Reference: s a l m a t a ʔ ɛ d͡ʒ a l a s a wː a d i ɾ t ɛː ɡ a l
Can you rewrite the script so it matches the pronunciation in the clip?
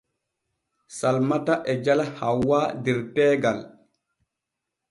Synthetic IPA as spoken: s a l m a t a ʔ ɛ d͡ʒ a l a h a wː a d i ɾ t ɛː ɡ a l